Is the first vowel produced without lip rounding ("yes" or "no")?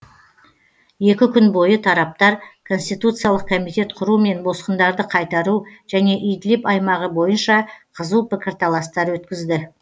yes